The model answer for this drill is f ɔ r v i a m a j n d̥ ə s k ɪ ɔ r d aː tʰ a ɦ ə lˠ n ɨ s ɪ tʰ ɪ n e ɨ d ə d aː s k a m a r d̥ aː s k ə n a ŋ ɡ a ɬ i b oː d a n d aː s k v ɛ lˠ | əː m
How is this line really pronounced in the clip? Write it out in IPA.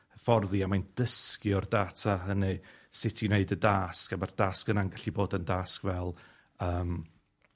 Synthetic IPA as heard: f ɔ r ð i a m a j n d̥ ə s k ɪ ɔ r d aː tʰ a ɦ ə n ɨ s ɪ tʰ i n e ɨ d ə d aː s k a m a r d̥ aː s k ə n a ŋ ɡ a ɬ i b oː d ə n d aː s k v ɛ lˠ | əː m